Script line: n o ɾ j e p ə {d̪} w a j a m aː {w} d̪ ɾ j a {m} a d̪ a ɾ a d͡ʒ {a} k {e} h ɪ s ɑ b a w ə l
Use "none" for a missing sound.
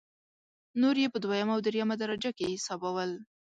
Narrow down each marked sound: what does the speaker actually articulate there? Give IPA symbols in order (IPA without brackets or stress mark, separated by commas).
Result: d̪, w, m, a, e